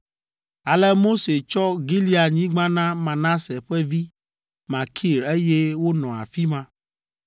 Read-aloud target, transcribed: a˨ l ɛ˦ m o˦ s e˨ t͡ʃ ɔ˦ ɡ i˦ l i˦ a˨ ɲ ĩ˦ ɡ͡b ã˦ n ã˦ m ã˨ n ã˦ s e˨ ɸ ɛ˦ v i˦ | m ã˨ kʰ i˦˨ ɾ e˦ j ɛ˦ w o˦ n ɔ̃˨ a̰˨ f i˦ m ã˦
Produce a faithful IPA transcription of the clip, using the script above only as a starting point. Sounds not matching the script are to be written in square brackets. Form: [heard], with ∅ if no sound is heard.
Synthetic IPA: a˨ l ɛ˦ m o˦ s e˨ t͡ʃ ɔ˦ ɡ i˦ l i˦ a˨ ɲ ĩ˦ ɡ͡b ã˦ n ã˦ m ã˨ n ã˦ s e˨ ɸ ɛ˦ v i˦ | m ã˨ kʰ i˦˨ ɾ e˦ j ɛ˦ w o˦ n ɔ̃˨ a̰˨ f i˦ m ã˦